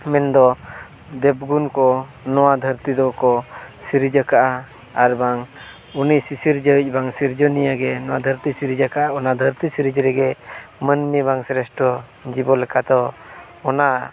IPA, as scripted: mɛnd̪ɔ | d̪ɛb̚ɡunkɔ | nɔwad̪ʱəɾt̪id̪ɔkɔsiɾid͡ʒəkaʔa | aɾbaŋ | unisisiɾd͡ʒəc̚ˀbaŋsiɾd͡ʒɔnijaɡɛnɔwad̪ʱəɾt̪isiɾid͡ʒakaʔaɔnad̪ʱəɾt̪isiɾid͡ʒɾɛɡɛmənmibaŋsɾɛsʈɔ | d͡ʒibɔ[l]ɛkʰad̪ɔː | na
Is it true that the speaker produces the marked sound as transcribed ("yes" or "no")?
yes